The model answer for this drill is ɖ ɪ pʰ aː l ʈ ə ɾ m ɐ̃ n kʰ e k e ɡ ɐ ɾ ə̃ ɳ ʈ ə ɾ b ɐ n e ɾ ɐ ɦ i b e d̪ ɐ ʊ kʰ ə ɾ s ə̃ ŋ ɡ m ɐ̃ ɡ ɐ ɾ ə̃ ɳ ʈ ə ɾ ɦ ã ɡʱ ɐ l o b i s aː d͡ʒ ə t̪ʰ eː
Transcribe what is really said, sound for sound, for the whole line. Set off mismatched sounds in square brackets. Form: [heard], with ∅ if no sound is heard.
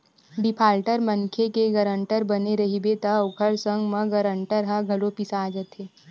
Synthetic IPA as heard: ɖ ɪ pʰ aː l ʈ ə ɾ m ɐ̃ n kʰ e k e ɡ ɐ ɾ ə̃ ɳ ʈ ə ɾ b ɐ n e ɾ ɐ ɦ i b e [t̪] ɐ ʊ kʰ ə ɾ s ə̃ ŋ ɡ m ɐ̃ ɡ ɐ ɾ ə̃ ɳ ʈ ə ɾ ɦ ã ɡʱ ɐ l o [p] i s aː d͡ʒ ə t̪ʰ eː